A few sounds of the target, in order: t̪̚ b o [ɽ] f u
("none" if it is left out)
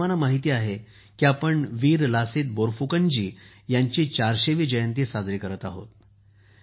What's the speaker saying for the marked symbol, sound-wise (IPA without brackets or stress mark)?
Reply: ɾ